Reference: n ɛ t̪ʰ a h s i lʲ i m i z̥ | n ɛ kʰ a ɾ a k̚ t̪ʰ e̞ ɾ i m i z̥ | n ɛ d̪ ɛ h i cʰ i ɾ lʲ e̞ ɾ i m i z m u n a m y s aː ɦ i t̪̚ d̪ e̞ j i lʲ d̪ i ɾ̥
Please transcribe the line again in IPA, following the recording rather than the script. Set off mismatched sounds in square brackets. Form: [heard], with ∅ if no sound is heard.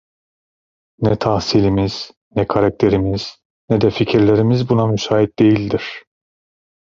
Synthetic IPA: n ɛ t̪ʰ a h s i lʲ i m i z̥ | n ɛ kʰ a ɾ a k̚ t̪ʰ e̞ ɾ i m i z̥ | n ɛ d̪ ɛ [f] i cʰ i ɾ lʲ e̞ ɾ i m i z [b] u n a m y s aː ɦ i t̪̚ d̪ e̞ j i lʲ d̪ i ɾ̥